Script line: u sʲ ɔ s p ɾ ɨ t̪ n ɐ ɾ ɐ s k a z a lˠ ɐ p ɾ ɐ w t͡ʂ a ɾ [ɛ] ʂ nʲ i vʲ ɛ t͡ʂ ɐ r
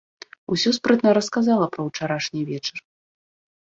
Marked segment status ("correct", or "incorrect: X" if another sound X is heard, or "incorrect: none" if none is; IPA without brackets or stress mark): incorrect: a